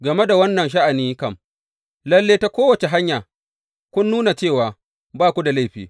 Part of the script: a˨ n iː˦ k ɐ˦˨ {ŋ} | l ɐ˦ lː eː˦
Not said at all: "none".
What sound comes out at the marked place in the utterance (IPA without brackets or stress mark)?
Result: m